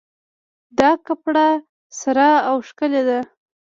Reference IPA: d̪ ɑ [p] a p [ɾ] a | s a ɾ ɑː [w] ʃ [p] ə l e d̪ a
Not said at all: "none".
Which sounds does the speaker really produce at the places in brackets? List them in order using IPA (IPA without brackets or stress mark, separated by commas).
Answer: k, ɽ, w, k